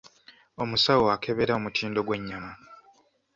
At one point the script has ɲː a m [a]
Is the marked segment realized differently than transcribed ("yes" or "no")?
no